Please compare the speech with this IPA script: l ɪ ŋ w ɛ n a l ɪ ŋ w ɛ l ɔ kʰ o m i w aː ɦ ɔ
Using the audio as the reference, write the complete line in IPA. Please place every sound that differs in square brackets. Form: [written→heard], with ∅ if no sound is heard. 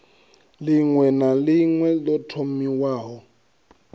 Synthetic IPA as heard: l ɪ ŋ w ɛ n a l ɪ ŋ w ɛ l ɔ [kʰ→tʰ] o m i w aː ɦ ɔ